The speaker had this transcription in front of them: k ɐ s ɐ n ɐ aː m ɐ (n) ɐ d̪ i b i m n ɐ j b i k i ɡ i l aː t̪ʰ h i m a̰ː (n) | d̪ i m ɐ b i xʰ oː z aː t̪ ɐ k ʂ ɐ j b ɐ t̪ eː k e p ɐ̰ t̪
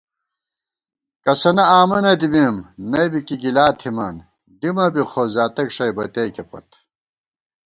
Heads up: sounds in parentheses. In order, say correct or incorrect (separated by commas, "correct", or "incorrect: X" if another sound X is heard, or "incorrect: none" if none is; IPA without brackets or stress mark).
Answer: correct, correct